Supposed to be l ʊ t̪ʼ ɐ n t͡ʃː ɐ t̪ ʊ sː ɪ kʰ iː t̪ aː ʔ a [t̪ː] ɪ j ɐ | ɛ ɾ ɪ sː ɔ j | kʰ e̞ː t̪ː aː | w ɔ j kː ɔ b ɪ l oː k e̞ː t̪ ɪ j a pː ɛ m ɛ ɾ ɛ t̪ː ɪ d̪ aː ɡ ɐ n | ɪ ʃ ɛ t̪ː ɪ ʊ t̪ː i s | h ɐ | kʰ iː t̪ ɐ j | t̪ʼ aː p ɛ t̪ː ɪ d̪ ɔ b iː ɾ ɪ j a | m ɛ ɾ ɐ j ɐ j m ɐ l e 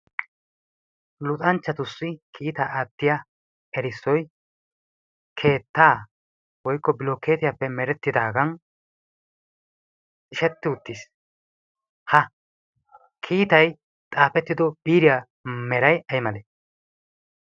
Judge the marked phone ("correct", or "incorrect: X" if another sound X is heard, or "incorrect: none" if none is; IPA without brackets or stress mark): correct